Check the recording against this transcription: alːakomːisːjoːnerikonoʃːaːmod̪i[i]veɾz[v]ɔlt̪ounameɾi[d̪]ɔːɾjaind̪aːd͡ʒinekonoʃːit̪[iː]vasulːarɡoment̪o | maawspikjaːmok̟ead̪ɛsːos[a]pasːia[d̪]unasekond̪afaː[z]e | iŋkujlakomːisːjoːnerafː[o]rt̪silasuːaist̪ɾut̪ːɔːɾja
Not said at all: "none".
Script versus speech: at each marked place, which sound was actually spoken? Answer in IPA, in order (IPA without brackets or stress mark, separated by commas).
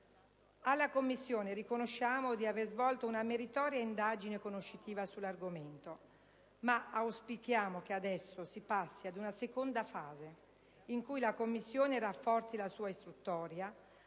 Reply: a, v, t̪, iː, i, d̪, z, ɔ